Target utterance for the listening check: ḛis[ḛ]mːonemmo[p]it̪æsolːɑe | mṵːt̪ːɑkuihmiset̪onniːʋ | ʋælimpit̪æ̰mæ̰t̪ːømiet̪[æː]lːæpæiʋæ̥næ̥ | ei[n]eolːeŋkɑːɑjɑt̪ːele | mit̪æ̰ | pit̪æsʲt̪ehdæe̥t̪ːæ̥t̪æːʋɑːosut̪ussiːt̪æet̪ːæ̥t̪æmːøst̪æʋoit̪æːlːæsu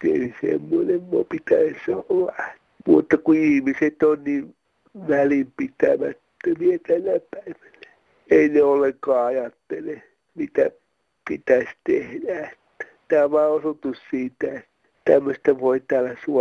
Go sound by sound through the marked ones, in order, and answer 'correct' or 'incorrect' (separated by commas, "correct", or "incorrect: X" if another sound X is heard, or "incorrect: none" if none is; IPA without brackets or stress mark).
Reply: correct, correct, incorrect: æ, correct